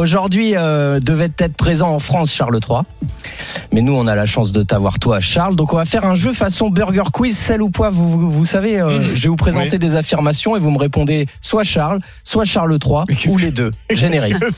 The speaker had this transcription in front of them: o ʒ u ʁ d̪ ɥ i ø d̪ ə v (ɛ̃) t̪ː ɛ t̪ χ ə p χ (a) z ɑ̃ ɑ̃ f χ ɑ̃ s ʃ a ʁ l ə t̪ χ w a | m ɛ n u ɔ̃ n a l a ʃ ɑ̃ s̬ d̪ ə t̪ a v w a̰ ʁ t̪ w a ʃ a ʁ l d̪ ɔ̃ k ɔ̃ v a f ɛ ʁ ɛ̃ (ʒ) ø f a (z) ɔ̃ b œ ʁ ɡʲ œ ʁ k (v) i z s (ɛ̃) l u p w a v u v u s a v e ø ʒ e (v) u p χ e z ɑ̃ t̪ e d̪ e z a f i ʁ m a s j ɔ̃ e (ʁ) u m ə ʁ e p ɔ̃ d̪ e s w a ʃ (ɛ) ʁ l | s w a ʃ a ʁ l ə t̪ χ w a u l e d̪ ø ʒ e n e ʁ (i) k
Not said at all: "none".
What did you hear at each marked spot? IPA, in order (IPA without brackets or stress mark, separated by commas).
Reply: ɛ, e, ʒ, s, w, ɛ, v, v, a, i